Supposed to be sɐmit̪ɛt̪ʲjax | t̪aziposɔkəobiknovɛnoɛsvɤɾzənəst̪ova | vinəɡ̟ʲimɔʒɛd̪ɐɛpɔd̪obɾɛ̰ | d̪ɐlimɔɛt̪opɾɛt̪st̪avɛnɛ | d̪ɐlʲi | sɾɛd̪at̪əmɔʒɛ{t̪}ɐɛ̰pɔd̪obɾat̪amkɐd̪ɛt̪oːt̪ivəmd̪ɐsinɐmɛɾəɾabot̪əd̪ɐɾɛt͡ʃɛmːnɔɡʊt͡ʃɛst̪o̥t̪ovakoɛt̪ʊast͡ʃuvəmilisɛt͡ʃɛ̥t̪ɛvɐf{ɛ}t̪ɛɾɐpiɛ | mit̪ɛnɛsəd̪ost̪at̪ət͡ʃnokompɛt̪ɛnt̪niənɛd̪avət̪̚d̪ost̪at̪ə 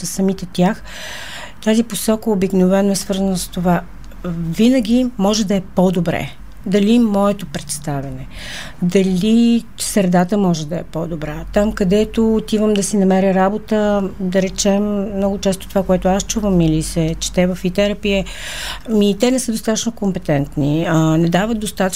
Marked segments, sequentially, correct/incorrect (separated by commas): incorrect, incorrect